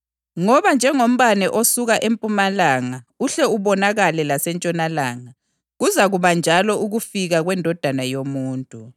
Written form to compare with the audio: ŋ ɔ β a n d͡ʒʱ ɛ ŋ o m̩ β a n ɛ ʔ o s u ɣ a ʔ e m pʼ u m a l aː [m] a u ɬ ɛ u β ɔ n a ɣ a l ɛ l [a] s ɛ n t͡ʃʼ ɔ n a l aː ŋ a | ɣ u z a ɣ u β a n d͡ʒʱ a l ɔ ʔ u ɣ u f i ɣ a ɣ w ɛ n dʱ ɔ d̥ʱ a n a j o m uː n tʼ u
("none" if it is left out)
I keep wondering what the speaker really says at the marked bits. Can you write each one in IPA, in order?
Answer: ŋ, a

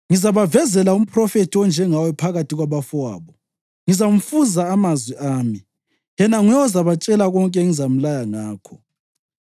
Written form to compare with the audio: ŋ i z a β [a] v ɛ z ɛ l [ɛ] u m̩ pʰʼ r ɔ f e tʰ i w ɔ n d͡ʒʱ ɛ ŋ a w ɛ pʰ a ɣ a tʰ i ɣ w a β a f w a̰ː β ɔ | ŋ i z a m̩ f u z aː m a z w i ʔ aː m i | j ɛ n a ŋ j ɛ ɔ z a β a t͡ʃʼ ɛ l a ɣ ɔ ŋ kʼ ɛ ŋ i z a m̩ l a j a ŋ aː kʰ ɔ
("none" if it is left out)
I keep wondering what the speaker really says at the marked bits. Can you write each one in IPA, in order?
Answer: a, a

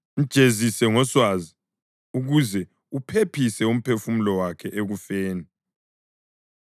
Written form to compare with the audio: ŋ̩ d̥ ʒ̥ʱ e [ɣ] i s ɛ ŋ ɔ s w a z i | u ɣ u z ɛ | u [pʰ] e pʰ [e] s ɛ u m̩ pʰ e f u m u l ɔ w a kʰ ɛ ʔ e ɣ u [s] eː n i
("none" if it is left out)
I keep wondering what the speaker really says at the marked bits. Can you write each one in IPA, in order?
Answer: z, pʰ, i, f

